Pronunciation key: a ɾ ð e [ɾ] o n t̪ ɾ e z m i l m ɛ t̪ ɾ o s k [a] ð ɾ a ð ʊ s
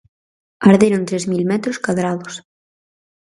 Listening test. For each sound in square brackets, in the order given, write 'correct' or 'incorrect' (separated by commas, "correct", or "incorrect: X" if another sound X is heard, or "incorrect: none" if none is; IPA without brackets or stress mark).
correct, correct